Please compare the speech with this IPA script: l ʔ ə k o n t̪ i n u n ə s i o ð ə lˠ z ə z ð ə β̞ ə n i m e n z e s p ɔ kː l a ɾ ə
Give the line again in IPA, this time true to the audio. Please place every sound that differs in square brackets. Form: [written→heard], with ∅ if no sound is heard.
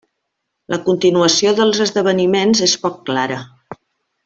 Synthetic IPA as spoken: l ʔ ə k [o→u] n t̪ i n u [n→∅] ə s i o ð ə lˠ z ə z ð ə β̞ ə n i m e n z e s p ɔ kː l a ɾ ə